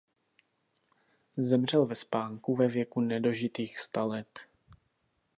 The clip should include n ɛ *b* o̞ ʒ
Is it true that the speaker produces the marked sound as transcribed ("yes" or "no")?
no